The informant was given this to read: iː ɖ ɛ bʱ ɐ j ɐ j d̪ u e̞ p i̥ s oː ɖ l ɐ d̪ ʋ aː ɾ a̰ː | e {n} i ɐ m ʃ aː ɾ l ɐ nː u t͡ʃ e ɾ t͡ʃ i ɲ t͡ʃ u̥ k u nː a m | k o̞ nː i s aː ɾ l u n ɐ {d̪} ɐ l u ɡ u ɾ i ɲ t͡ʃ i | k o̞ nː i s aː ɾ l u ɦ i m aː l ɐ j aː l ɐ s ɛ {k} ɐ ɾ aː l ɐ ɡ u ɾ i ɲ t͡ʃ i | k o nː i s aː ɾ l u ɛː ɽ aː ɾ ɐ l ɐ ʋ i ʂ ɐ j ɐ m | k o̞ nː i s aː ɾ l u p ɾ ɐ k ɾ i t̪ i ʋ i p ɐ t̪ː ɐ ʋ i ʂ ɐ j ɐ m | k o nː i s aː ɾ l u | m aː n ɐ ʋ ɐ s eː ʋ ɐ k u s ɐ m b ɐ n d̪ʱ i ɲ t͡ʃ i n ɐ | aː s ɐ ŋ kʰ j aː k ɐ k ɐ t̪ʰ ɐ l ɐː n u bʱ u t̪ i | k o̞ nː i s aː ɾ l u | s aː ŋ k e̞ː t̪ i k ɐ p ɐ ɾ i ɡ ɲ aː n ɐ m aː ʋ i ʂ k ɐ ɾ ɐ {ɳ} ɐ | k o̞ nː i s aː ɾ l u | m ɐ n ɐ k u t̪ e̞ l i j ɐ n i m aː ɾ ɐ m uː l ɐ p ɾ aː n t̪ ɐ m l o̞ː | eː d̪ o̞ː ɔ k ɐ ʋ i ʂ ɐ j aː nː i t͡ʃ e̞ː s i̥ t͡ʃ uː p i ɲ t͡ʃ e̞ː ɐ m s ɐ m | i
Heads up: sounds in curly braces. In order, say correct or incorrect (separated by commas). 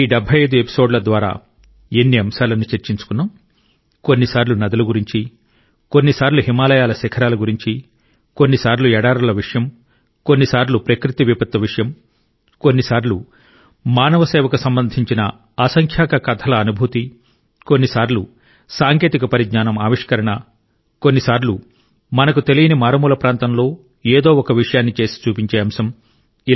incorrect, correct, incorrect, correct